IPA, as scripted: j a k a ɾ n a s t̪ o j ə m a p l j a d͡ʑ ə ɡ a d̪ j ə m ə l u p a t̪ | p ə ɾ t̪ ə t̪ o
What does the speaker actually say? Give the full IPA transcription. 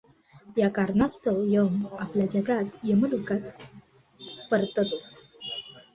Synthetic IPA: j a k a ɾ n a s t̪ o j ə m a p l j a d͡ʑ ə ɡ a t̪ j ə m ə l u k a t̪ | p ə ɾ t̪ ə t̪ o